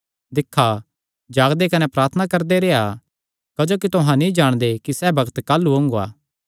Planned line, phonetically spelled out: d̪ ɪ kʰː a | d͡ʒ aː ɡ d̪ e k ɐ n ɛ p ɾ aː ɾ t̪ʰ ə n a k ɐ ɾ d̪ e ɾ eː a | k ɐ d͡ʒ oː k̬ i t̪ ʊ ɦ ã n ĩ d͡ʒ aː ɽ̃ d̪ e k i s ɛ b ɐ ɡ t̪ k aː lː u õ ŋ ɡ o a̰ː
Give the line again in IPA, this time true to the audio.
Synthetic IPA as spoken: d̪ ɪ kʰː a | d͡ʒ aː ɡ d̪ e k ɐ n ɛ p ɾ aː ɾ t̪ʰ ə n a k ɐ ɾ d̪ e ɾ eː a | k ɐ d͡ʒ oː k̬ i t̪ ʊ ɦ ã n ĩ d͡ʒ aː ɽ̃ d̪ e k i s ɛ b ɐ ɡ t̪ k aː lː u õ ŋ ɡ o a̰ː